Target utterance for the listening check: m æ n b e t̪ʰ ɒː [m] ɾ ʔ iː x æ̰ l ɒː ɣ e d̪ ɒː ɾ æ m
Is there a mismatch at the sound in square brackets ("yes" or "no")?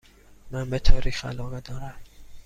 yes